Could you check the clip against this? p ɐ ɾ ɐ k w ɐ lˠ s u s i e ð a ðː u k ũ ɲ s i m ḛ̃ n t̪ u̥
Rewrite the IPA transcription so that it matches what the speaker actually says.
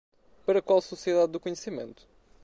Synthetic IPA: p ɐ ɾ ɐ k w a lˠ s u s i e ð a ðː u k u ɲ s i m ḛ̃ n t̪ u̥